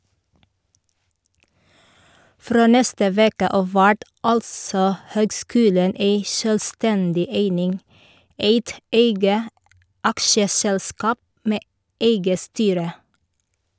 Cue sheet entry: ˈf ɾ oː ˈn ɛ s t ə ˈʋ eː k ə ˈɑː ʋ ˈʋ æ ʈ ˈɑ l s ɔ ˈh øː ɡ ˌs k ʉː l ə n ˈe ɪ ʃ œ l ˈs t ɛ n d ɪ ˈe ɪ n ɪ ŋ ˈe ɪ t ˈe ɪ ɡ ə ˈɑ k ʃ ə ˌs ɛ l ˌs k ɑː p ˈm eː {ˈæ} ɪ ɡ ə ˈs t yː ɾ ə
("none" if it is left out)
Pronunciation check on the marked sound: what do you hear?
e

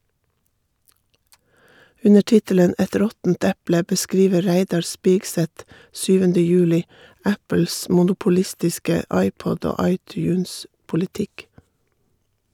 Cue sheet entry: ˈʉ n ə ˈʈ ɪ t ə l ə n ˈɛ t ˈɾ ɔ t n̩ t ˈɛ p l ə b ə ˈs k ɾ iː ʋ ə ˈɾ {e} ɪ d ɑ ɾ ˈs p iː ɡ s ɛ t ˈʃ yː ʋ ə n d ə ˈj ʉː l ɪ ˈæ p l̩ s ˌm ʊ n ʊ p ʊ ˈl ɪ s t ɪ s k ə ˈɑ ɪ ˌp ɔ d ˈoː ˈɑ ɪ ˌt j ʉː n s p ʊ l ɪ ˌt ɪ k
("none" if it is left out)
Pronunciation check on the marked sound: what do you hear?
æ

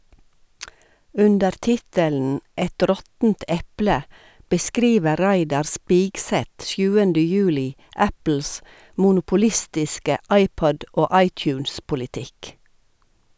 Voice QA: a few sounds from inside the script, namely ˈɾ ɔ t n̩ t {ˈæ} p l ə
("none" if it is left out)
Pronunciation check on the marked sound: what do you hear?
ɛ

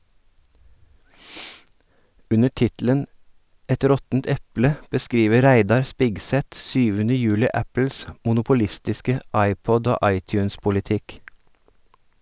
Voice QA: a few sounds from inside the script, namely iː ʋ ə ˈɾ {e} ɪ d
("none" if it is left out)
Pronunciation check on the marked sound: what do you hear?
æ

